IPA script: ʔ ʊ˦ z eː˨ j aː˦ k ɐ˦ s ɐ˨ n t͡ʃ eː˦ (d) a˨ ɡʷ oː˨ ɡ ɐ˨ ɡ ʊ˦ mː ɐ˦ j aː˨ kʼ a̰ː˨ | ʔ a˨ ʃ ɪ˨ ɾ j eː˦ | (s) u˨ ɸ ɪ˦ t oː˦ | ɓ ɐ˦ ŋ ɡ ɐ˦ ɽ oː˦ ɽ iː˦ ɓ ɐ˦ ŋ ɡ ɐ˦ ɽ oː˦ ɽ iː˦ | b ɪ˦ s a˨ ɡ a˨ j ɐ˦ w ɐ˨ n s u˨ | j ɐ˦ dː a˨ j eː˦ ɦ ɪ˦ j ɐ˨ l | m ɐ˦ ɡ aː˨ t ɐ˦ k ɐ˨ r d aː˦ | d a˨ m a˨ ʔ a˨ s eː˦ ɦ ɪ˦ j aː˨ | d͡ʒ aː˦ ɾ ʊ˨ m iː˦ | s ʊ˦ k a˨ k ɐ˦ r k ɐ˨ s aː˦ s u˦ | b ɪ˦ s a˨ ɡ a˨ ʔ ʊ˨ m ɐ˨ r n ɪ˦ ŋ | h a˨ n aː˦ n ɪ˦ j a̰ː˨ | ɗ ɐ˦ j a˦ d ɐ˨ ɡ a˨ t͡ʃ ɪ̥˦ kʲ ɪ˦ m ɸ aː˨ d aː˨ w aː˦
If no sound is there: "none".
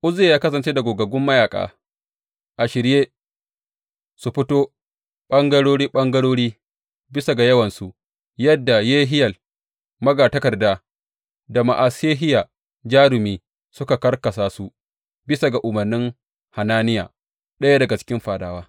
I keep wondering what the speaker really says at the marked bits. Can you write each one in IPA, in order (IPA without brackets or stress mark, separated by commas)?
d, s